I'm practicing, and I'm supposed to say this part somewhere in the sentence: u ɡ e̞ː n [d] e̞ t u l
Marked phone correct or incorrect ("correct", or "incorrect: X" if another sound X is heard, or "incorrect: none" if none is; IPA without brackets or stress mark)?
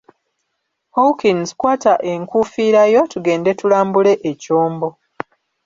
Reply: correct